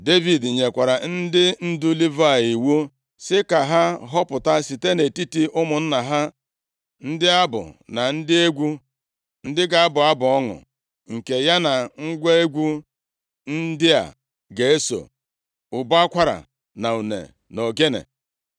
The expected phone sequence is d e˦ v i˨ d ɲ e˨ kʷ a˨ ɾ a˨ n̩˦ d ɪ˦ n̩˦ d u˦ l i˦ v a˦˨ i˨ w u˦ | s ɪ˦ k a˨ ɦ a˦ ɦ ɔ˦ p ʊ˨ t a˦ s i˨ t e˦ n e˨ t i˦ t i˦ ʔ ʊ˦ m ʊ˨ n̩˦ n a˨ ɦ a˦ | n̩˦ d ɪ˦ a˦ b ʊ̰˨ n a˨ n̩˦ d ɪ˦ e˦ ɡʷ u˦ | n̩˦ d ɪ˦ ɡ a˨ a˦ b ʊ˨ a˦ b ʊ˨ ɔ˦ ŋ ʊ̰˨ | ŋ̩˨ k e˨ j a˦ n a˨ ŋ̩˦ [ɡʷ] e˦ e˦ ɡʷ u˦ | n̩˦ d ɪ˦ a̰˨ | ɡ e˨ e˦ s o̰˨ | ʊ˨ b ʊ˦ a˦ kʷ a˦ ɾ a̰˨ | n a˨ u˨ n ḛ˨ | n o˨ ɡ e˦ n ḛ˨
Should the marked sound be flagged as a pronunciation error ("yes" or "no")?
no